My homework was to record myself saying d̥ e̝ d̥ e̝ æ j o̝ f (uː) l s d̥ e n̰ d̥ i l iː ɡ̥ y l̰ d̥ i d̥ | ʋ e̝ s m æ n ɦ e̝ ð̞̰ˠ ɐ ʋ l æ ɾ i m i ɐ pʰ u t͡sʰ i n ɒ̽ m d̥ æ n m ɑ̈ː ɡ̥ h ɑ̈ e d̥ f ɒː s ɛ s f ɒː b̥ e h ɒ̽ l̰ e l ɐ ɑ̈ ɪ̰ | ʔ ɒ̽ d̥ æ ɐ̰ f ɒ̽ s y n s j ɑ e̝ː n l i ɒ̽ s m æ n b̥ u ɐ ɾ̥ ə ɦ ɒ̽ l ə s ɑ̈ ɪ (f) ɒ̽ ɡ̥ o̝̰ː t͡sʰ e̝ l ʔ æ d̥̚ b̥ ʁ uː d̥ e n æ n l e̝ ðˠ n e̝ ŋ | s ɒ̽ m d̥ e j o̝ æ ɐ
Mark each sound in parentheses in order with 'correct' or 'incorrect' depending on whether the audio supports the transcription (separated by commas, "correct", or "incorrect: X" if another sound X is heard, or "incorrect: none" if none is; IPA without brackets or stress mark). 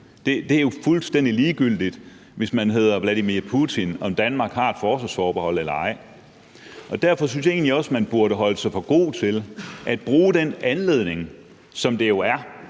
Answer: incorrect: u, correct